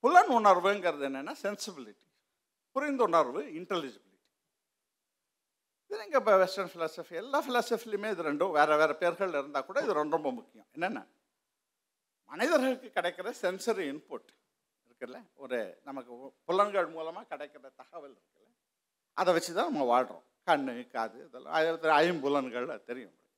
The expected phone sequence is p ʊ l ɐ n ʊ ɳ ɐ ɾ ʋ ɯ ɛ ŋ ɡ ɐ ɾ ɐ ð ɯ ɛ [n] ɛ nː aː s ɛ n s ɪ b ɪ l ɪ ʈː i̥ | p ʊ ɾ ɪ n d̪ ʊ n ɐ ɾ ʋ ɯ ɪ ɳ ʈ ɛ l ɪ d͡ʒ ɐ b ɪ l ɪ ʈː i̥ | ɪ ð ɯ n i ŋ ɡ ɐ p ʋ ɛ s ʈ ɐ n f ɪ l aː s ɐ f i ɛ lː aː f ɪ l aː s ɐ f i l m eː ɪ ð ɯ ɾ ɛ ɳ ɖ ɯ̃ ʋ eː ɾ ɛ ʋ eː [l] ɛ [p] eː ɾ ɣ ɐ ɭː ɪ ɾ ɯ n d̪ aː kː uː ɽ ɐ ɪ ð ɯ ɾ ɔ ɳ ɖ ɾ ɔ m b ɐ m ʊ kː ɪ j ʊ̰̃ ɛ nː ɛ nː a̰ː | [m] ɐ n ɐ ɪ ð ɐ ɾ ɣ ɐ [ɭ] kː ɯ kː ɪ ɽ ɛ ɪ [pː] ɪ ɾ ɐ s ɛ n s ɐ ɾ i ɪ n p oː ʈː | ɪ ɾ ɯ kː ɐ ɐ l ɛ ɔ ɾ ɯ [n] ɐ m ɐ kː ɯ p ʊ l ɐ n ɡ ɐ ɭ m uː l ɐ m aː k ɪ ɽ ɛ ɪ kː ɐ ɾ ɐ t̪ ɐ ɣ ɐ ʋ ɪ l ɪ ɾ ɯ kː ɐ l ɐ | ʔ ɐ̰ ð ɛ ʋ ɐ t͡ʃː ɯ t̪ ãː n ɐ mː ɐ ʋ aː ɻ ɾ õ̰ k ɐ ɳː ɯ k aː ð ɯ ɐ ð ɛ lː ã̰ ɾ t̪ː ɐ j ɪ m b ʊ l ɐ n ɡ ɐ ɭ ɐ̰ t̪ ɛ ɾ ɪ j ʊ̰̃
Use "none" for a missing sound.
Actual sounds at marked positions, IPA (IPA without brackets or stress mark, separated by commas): nː, ɾ, p, m, ɭ, kː, n